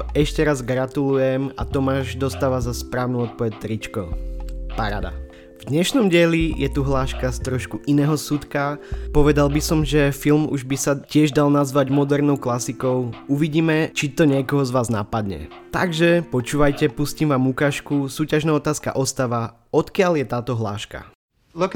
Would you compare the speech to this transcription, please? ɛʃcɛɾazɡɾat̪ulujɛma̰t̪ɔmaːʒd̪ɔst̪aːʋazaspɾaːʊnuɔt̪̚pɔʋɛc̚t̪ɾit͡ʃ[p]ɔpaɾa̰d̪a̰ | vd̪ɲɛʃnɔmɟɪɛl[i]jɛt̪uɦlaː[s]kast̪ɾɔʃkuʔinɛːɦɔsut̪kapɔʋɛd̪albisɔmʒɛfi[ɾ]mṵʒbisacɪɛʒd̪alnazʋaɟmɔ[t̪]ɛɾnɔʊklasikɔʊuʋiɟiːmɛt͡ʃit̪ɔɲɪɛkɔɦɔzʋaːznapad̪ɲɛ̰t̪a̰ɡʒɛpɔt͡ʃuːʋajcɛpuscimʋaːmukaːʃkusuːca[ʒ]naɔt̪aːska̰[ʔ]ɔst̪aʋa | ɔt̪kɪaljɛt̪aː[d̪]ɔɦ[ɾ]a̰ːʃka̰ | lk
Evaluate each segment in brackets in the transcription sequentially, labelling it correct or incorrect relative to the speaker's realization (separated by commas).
incorrect, correct, incorrect, incorrect, incorrect, correct, correct, incorrect, incorrect